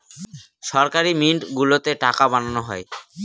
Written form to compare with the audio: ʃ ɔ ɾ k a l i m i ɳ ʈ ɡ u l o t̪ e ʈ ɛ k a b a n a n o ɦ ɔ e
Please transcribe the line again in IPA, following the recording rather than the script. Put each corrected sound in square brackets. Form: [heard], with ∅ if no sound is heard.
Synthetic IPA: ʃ ɔ ɾ k a [ɾ] i m i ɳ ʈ ɡ u l o t̪ e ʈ [a] k a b a n a n o ɦ ɔ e